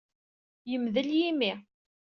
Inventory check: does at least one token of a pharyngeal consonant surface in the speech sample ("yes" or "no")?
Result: no